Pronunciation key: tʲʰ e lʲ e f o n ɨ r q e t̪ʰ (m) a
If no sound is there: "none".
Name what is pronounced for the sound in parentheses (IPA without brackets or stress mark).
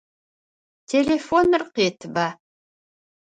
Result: b